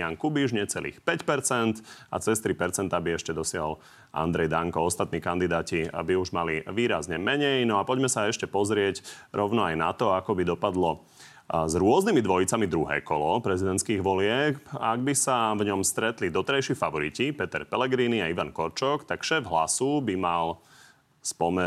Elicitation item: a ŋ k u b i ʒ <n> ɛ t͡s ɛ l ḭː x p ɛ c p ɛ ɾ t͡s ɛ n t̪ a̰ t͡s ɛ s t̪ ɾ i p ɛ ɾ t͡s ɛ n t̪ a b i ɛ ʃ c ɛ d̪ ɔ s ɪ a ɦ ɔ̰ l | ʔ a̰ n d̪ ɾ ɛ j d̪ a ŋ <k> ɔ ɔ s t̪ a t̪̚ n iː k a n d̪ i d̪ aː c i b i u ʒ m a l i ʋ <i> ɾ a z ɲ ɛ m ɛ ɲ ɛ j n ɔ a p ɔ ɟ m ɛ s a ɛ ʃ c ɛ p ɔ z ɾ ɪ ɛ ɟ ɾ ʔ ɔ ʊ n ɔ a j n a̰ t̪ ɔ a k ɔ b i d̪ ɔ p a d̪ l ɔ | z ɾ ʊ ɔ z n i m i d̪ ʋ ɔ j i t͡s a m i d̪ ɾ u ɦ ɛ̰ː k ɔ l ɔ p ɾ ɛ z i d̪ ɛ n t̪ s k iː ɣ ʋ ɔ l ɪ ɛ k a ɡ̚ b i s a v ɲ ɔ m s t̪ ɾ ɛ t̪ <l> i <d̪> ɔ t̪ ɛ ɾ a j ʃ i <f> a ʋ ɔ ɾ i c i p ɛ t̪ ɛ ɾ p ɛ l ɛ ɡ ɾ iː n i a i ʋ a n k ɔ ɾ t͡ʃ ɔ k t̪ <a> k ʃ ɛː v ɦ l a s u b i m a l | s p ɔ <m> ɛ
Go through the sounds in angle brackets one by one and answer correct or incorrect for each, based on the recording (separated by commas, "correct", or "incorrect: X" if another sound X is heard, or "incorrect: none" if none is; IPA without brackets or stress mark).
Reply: incorrect: ɲ, correct, incorrect: iː, correct, correct, correct, correct, correct